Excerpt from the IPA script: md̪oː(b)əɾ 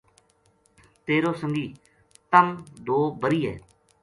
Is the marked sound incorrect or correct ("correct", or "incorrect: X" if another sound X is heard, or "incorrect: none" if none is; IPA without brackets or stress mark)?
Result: correct